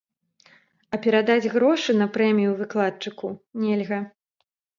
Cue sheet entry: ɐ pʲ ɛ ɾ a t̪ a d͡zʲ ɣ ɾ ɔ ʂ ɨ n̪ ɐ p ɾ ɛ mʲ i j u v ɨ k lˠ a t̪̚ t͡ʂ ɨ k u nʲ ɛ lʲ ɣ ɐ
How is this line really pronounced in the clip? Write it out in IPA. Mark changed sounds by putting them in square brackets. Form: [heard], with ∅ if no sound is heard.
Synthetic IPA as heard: ɐ pʲ ɛ ɾ a [d̪] a d͡zʲ ɣ ɾ ɔ ʂ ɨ n̪ ɐ p ɾ ɛ mʲ i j u v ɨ k lˠ a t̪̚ t͡ʂ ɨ k u nʲ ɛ lʲ ɣ ɐ

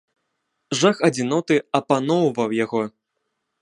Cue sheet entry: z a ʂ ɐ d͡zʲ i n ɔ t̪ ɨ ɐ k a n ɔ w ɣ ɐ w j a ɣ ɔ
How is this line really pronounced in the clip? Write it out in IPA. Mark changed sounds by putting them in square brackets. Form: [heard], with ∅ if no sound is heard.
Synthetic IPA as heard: [ʐ] a [x] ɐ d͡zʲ i n ɔ t̪ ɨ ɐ [p] a n ɔ w [v] ɐ w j a ɣ ɔ

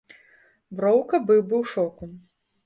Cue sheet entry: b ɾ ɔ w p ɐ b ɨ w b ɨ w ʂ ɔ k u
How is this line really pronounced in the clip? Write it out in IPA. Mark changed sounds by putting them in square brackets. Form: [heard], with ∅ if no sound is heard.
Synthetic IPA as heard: b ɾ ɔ w [k] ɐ b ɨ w b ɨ w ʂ ɔ k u

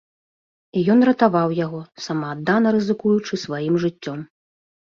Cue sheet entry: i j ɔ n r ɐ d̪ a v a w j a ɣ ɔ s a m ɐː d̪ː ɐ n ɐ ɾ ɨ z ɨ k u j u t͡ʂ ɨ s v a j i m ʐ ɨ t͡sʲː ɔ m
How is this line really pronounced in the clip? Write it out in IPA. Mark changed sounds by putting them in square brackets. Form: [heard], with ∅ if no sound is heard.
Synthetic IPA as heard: i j ɔ n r ɐ [t̪] a v a w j a ɣ ɔ s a m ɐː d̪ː [a] n ɐ ɾ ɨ z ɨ k u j u t͡ʂ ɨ s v a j i m ʐ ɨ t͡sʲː ɔ m

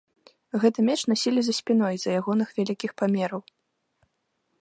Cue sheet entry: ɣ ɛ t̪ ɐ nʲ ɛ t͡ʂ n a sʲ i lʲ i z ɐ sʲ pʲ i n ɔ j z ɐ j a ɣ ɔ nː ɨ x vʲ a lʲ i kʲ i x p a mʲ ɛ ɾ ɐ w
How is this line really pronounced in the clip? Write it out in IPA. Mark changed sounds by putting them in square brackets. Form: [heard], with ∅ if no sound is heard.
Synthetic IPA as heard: ɣ ɛ t̪ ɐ [mʲ] ɛ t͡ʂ n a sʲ i lʲ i z ɐ sʲ pʲ i n ɔ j z ɐ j a ɣ ɔ [n] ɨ x vʲ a lʲ i kʲ i x p a mʲ ɛ ɾ ɐ w

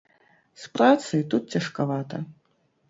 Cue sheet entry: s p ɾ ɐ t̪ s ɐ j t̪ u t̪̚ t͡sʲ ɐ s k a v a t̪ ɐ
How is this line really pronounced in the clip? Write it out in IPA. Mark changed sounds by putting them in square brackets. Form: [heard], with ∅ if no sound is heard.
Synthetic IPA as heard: s p ɾ [a] t̪ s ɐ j t̪ u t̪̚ t͡sʲ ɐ [ʂ] k a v a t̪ ɐ

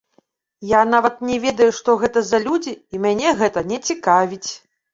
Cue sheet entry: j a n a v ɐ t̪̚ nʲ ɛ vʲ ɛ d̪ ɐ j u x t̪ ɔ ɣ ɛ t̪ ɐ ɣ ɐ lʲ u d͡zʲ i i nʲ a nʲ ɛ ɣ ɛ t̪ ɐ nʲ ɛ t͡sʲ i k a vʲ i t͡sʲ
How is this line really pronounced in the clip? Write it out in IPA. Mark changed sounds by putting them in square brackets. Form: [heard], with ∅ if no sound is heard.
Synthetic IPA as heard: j a n a v ɐ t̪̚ nʲ ɛ vʲ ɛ d̪ ɐ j u [ʂ] t̪ ɔ ɣ ɛ t̪ ɐ [z] ɐ lʲ u d͡zʲ i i [mʲ] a nʲ ɛ ɣ ɛ t̪ ɐ nʲ ɛ t͡sʲ i k a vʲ i t͡sʲ

